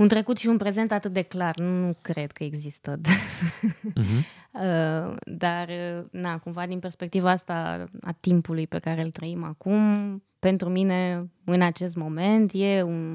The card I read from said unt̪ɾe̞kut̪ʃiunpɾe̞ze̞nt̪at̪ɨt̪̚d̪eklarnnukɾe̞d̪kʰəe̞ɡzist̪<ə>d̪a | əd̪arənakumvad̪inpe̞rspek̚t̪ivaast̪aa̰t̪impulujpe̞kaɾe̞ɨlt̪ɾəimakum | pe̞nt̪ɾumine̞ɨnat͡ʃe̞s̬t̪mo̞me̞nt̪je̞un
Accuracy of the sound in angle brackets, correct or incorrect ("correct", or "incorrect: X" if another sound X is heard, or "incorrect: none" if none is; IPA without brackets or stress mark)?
correct